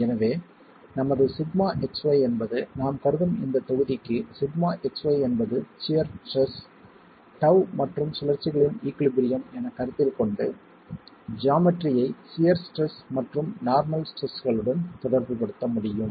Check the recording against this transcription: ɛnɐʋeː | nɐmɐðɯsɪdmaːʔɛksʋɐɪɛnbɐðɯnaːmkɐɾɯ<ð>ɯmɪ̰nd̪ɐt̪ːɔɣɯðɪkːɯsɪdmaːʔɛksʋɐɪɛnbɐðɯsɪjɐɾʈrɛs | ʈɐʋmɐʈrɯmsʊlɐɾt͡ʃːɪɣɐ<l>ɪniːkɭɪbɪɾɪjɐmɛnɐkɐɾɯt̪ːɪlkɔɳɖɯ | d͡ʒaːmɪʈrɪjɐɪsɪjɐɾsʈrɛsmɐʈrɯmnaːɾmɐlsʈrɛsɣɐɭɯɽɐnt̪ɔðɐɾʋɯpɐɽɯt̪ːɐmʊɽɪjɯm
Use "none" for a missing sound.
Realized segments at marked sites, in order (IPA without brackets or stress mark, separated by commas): ð, ɭ